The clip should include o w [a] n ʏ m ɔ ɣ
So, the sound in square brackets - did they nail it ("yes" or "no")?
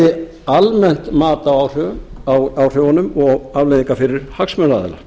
yes